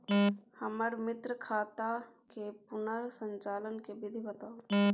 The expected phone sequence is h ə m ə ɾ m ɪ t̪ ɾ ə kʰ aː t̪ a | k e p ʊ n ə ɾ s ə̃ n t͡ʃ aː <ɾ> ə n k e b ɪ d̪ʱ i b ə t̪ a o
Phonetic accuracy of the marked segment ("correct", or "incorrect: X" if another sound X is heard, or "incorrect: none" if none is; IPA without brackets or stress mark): incorrect: l